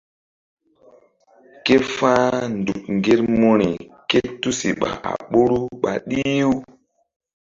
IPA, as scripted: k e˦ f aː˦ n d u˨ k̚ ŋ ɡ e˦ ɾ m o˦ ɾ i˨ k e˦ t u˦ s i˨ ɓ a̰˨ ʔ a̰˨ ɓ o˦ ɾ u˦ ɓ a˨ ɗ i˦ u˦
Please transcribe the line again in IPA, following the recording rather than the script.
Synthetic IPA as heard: k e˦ f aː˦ n d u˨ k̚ ŋ ɡ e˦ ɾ m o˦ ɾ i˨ k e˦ t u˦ s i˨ ɓ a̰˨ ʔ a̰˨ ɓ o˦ ɾ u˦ ɓ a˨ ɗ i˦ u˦

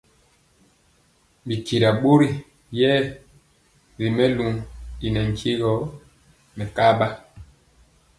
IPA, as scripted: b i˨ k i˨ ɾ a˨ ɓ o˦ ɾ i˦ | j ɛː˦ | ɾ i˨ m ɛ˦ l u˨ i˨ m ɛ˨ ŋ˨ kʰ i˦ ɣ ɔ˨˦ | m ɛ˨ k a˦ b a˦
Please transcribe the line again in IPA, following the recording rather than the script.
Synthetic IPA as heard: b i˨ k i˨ ɾ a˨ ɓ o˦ ɾ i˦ | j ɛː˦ | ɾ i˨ m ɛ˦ l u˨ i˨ n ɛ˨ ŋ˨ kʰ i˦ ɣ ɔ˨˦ | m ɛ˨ k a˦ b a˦

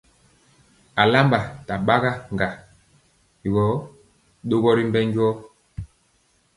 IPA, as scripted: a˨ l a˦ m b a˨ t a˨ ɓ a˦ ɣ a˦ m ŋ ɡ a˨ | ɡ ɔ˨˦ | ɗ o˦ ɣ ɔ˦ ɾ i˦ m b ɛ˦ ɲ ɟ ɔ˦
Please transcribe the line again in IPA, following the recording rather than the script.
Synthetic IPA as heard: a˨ l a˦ m b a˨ t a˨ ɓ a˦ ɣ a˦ ŋ ɡ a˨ | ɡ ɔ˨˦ | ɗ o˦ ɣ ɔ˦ ɾ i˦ m b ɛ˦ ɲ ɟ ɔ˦

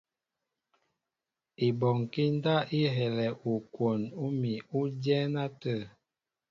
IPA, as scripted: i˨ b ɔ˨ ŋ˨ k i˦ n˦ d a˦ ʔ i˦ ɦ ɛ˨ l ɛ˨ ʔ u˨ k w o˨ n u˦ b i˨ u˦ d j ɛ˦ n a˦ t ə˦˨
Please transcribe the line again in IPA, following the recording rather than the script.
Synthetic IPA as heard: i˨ b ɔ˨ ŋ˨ k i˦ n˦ d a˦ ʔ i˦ ɦ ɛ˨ l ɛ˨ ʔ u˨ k w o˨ n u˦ m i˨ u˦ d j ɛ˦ n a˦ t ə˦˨

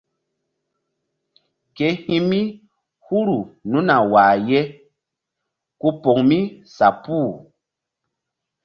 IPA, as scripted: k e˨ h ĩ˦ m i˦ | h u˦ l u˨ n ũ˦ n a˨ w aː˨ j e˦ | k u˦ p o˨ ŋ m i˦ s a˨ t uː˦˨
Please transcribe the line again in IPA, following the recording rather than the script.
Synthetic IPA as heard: k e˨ h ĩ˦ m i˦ | h u˦ ɾ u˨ n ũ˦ n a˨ w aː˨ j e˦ | k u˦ p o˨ ŋ m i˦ s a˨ p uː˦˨

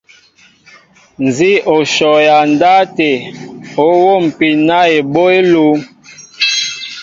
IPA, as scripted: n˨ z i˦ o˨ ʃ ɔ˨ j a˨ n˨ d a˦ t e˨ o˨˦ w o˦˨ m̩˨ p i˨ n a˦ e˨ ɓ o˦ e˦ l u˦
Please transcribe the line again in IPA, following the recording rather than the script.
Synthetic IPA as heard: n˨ z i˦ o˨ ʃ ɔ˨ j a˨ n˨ d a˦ t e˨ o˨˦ w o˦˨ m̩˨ p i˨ n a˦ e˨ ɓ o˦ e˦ l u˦

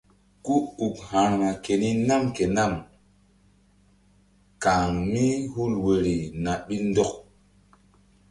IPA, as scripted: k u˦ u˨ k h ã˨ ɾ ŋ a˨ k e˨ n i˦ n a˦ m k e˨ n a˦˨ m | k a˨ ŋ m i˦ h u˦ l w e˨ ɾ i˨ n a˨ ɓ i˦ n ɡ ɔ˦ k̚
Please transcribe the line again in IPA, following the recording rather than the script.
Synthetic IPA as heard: k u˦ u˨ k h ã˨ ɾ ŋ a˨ k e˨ n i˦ n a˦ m k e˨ n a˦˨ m | k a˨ ŋ m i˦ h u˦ l w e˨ ɾ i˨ n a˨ ɓ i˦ n d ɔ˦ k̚

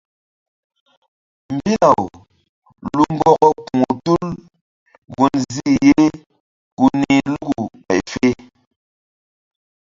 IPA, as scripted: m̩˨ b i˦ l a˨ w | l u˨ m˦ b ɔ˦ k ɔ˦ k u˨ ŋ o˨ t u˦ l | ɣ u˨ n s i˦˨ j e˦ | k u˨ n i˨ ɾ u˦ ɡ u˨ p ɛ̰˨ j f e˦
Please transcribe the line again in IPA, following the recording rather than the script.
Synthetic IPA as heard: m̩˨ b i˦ l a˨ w | l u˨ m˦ b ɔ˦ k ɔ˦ k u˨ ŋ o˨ t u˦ l | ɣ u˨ n z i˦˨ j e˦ | k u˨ n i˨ l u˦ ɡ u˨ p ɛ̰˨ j f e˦

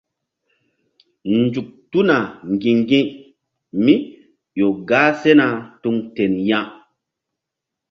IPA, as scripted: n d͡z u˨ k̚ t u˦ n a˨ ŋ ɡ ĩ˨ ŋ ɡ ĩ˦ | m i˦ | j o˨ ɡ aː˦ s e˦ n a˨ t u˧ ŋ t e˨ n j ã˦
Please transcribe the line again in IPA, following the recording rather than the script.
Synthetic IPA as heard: n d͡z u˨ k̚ t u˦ n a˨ ŋ ɡ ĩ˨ ŋ ɡ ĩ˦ | m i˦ | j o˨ ɡ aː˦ s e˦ n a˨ t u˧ ŋ t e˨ n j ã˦

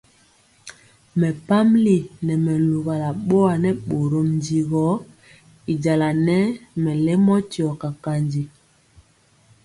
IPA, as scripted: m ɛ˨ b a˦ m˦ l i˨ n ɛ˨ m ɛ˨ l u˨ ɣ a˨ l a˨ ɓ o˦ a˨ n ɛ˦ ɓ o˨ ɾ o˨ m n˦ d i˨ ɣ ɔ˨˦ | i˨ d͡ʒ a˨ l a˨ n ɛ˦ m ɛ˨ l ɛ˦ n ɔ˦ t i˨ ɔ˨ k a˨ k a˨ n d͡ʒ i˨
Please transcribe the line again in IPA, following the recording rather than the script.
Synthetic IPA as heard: m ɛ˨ p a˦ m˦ l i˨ n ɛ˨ m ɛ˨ l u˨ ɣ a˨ l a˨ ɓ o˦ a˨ n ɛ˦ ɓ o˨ ɾ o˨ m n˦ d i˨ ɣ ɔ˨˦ | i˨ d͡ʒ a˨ l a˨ n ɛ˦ m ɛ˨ l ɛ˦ m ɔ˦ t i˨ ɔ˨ k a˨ k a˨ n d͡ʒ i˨

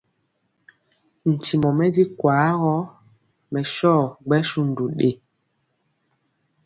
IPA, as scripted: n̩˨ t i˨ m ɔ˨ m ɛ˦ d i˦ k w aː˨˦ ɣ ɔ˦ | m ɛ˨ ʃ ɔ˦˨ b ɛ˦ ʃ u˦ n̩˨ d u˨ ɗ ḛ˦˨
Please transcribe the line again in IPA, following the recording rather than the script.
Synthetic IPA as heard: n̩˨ t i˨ m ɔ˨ m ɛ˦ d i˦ k w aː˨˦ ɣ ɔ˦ | m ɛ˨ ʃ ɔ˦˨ ɡ͡b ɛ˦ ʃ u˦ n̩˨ d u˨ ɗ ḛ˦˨

